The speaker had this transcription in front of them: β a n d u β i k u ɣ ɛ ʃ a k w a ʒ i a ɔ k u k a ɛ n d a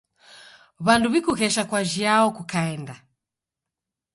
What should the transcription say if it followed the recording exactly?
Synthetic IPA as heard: β a n d u β i k u ɣ ɛ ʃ a k w a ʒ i a ɔ k u k a ɛ n d a